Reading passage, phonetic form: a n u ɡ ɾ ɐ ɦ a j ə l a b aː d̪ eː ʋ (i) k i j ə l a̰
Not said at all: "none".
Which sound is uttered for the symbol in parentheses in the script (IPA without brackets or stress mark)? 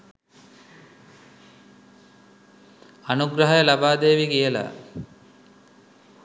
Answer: i